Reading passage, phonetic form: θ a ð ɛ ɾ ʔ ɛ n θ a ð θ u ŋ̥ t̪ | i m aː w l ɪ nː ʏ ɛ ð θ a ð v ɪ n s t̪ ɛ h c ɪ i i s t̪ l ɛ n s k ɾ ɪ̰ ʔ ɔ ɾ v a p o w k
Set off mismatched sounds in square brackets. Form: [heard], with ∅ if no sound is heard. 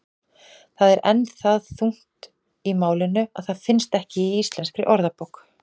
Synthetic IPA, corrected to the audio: θ a ð ɛ ɾ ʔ ɛ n θ a ð θ u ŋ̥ t̪ | i m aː w l ɪ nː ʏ [a] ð θ a ð [f] ɪ n s t̪ ɛ h c ɪ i i s t̪ l ɛ n s k ɾ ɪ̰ ʔ ɔ ɾ [ð] a p o w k